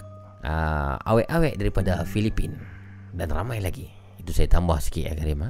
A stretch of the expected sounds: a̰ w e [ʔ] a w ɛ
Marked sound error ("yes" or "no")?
no